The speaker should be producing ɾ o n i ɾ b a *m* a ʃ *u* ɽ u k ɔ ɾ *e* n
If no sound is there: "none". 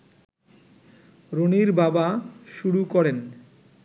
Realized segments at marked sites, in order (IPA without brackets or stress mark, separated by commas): b, u, e